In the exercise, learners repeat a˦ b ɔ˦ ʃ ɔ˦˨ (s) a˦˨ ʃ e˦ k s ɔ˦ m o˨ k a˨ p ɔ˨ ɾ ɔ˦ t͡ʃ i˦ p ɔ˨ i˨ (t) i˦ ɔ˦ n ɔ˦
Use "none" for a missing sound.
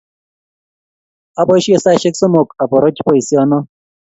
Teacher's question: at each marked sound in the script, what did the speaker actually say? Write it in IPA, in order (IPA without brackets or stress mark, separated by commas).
s, s